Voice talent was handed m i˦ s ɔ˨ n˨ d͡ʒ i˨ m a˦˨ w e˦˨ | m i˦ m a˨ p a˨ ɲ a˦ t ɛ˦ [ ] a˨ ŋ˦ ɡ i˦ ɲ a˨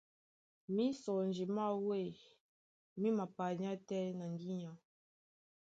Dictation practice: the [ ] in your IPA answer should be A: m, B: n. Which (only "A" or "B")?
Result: B